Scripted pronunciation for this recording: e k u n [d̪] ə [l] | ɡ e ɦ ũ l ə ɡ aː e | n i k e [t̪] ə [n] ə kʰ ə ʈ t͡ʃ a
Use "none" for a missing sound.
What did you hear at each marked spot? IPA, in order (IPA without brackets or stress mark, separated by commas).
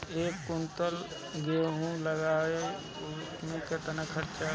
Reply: t̪, l, t̪, n